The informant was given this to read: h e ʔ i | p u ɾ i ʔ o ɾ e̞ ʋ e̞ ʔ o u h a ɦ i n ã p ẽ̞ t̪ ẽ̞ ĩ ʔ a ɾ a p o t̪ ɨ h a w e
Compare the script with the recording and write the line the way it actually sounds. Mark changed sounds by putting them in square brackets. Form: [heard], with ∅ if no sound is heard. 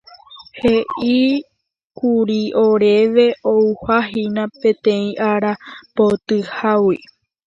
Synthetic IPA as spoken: h e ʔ i | [k] u ɾ i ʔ o ɾ e̞ ʋ e̞ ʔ o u h a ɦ i n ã p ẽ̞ t̪ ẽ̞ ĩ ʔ a ɾ a p o t̪ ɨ h a w [i]